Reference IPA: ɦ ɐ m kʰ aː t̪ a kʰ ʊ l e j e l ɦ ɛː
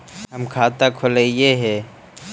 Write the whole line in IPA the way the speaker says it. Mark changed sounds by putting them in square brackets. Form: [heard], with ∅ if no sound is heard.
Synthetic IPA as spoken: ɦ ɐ m kʰ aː t̪ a kʰ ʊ l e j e [∅] ɦ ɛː